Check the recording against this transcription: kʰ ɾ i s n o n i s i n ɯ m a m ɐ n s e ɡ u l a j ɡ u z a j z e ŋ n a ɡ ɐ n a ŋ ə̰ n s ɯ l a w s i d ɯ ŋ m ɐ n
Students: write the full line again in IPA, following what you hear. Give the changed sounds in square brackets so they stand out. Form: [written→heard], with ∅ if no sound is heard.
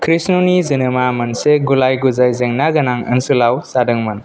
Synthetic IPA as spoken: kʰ ɾ i s n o n i [s→z] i n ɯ m a m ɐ n s e ɡ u l a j ɡ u z a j z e ŋ n a ɡ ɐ n a ŋ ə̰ n s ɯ l a w s [i→a] d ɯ ŋ m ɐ n